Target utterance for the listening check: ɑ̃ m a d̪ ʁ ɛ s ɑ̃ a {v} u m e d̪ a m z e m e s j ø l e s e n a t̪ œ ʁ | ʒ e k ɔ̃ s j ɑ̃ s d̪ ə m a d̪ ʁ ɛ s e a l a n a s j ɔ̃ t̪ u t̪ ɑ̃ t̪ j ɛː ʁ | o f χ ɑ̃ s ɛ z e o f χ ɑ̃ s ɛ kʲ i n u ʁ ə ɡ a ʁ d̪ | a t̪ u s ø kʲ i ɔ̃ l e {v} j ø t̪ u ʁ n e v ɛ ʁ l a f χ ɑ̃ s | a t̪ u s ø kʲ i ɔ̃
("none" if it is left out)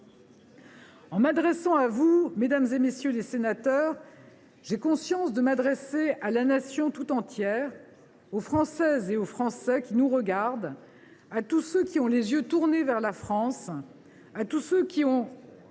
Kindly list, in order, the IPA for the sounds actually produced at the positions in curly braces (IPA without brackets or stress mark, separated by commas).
v, z